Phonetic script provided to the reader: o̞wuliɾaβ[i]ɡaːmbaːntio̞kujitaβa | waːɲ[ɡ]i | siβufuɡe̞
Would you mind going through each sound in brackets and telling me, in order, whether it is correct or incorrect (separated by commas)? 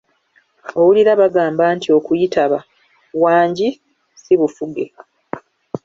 incorrect, incorrect